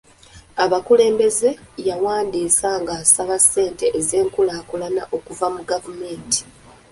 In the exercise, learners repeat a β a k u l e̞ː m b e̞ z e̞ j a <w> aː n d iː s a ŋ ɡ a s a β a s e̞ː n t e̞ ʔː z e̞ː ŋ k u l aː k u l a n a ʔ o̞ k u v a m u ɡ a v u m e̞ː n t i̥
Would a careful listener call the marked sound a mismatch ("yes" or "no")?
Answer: no